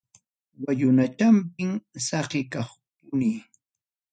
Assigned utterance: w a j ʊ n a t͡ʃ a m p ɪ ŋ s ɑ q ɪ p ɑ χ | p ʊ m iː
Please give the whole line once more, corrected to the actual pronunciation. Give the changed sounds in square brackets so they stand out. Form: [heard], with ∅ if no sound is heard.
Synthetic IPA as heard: w a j ʊ n a t͡ʃ a m p ɪ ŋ s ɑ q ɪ [k] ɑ χ | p ʊ [n] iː